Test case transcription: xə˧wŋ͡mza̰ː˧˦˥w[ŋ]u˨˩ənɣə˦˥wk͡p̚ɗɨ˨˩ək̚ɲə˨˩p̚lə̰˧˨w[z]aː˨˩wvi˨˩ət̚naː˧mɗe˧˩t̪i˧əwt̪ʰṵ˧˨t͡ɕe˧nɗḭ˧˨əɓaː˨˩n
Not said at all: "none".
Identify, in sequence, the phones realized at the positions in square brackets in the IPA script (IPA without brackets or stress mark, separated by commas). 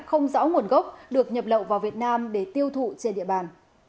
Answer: ŋ, v